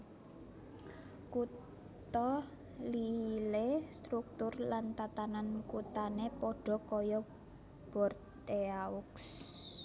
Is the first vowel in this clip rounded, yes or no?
yes